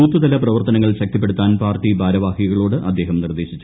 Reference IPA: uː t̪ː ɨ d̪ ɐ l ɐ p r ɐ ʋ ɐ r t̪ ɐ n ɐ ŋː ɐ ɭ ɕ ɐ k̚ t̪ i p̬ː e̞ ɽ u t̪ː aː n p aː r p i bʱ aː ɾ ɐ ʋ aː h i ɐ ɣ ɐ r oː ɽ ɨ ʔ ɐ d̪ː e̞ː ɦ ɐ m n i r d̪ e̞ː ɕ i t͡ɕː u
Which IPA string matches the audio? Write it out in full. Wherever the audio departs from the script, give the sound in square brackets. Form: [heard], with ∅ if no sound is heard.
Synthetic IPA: uː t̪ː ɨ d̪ ɐ l ɐ p r ɐ ʋ ɐ r t̪ ɐ n ɐ ŋː ɐ ɭ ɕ ɐ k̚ t̪ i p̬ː e̞ ɽ u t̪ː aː n p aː r [t] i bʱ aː ɾ ɐ ʋ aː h i ɐ ɣ ɐ [ɭ] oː ɽ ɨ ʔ ɐ d̪ː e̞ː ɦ ɐ m n i r d̪ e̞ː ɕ i t͡ɕː u